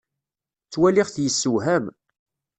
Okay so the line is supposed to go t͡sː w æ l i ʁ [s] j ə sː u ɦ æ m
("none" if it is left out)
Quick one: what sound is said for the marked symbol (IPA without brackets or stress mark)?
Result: θ